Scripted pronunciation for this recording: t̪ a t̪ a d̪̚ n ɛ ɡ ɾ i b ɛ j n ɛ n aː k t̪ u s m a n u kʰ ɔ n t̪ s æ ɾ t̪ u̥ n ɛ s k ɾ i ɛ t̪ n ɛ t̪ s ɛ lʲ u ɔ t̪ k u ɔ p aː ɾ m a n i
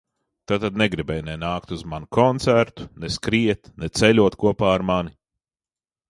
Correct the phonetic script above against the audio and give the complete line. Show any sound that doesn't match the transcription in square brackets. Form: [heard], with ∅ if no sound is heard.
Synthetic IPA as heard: t̪ a t̪ a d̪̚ n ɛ ɡ ɾ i b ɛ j n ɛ n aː k t̪ u [z] m a n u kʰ ɔ n t̪ s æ ɾ t̪ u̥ n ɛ s k ɾ i ɛ t̪ n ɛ t̪ s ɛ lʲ u ɔ t̪ k u ɔ p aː ɾ m a n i